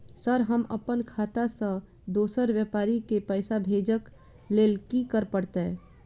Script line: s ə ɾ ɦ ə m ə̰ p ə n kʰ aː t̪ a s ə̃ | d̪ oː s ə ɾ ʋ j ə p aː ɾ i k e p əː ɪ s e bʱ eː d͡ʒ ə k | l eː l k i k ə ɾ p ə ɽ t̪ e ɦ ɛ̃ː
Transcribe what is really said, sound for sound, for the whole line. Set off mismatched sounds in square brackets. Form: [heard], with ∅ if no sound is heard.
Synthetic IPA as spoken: s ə ɾ ɦ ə m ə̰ p ə n kʰ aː t̪ a s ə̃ | d̪ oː s ə ɾ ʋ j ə p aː ɾ i k e p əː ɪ s [a] bʱ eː d͡ʒ ə k | l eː l k i k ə ɾ p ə ɽ t̪ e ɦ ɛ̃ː